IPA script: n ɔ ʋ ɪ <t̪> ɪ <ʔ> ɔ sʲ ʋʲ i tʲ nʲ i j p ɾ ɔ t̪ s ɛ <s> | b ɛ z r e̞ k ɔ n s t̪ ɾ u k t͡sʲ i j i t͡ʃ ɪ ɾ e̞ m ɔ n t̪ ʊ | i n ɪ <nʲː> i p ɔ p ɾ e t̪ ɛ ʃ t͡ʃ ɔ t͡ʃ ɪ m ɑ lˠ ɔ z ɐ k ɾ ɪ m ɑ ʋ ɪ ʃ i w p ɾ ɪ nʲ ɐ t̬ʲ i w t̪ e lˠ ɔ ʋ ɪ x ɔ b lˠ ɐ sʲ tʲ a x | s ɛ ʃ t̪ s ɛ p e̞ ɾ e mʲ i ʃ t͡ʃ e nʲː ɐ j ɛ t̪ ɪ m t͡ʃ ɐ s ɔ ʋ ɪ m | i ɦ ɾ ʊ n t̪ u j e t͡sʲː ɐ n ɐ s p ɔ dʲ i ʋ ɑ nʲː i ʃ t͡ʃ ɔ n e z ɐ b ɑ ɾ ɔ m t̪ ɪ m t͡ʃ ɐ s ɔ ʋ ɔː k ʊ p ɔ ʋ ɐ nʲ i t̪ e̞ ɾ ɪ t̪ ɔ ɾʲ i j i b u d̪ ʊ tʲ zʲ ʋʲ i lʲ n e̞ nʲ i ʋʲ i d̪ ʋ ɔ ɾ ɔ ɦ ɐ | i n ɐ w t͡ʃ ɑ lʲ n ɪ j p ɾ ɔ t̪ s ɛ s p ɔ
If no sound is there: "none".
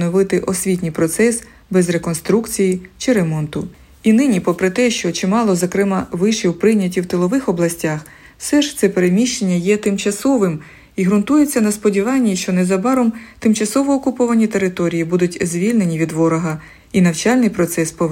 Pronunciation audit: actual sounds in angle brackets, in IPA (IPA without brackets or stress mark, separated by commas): t̪, ʔ, s, nʲ